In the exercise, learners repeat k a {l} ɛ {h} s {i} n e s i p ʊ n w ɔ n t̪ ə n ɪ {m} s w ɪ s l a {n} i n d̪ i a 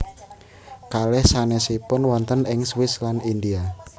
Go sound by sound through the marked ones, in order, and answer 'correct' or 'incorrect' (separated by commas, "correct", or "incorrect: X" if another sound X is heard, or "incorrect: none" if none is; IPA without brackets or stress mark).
correct, correct, incorrect: a, incorrect: ŋ, correct